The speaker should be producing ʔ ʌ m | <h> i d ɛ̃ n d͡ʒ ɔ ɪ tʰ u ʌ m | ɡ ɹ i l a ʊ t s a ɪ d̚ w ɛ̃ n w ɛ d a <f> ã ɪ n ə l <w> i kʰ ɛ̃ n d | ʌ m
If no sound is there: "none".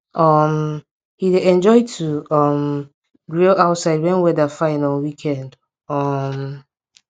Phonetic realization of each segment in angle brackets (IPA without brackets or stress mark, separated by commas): h, f, w